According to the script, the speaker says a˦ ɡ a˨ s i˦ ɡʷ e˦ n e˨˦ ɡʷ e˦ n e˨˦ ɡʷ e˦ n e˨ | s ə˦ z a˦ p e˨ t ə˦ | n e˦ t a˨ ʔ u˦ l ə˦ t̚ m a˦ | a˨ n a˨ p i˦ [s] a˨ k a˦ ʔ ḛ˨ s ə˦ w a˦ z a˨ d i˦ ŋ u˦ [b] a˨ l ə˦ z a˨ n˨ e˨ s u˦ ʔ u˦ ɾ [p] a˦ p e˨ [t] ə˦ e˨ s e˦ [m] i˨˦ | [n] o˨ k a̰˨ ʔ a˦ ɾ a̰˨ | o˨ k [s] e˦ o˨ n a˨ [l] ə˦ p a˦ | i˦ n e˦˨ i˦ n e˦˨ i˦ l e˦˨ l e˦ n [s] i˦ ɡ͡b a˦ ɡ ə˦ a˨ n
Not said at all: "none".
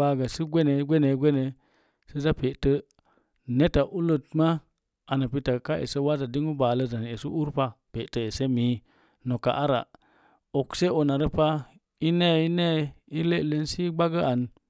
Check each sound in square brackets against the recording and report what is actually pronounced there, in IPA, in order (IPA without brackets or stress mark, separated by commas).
t, b, p, t, m, n, s, ɾ, s